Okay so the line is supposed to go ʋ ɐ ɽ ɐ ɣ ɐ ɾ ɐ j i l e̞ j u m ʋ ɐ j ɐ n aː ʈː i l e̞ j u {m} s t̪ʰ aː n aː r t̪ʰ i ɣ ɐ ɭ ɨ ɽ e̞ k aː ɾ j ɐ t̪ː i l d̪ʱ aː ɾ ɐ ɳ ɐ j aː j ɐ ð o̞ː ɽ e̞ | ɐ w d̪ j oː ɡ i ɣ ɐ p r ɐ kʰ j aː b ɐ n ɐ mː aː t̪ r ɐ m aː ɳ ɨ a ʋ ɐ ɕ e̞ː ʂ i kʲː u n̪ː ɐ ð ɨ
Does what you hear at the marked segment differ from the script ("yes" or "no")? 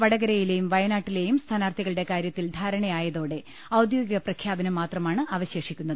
no